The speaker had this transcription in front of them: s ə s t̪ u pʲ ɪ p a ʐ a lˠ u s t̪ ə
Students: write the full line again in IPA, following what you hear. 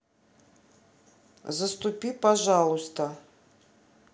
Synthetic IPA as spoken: z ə s t̪ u pʲ i p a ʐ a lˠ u s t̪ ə